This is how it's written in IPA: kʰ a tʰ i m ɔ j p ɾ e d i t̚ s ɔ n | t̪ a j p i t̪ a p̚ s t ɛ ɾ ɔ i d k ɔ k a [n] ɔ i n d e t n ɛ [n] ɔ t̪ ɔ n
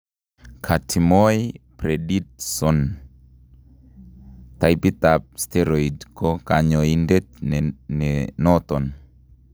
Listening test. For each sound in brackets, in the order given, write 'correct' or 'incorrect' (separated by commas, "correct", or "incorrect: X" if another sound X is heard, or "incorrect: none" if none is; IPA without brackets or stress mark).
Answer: incorrect: ɲ, correct